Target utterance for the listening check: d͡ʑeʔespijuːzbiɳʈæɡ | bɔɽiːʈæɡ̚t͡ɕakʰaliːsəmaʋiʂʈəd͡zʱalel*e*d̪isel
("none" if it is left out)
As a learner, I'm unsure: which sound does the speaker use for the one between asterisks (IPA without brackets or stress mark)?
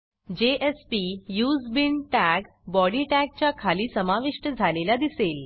a